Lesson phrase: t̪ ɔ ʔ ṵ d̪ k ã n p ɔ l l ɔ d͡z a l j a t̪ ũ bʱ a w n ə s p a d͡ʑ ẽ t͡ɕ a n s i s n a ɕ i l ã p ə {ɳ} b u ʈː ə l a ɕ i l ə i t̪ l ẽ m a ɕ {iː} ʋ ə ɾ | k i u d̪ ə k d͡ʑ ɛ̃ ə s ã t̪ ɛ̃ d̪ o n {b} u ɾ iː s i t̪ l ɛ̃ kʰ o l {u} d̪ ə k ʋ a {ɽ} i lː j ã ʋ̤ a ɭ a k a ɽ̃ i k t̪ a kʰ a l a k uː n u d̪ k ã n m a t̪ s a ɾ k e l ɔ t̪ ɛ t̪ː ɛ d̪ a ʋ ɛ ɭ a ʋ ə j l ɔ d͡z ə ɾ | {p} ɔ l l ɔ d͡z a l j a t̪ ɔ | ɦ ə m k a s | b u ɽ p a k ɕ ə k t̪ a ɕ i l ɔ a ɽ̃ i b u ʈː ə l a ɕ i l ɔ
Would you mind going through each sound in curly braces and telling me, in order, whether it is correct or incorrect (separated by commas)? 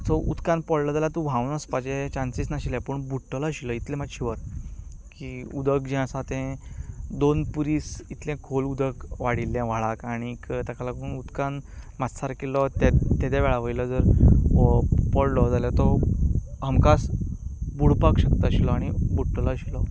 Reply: correct, incorrect, incorrect, correct, correct, correct